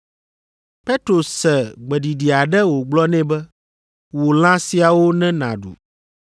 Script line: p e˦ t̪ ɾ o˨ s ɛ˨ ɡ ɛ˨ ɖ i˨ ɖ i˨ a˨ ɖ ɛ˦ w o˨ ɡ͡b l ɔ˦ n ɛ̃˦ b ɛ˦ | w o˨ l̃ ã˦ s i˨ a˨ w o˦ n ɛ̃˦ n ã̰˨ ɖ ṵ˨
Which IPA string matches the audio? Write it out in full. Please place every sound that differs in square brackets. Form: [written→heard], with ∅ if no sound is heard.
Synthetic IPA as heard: p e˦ t̪ ɾ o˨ s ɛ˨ [ɡ→ɡ͡b] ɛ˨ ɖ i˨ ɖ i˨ a˨ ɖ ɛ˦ w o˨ ɡ͡b l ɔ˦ n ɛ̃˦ b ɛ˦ | w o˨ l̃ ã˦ s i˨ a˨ w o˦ n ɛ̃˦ n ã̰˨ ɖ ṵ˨